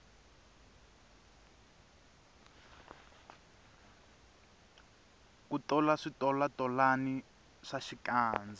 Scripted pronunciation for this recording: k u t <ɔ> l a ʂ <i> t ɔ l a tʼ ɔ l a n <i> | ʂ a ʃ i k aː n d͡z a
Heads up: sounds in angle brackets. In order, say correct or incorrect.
correct, correct, correct

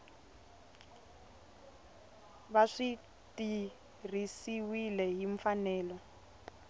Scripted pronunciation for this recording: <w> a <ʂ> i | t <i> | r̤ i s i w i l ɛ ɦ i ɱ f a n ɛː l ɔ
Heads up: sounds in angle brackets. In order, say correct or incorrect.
incorrect: β, correct, correct

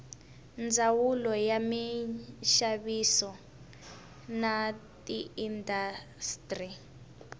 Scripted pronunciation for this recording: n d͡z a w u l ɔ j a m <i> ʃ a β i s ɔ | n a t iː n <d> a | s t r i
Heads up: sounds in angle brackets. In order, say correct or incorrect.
correct, correct

